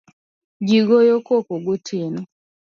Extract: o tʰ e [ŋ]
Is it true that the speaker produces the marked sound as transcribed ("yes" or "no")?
no